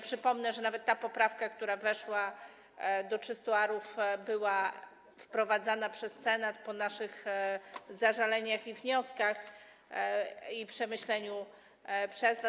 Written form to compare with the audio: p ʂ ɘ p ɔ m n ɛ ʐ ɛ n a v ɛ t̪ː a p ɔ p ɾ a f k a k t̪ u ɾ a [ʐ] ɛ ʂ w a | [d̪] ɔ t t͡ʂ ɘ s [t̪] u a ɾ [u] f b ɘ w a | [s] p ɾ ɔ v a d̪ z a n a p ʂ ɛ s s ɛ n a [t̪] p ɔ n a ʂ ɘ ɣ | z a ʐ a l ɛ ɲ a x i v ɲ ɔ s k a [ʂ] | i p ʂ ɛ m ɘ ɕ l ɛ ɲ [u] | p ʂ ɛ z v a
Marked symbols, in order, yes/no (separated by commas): no, yes, yes, yes, no, yes, no, yes